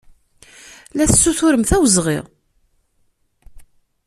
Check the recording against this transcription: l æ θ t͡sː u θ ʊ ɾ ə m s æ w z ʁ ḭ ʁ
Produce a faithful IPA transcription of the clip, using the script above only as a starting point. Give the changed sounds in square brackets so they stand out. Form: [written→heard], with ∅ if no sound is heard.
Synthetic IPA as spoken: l æ θ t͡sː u θ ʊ ɾ ə m [s→θ] æ w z ʁ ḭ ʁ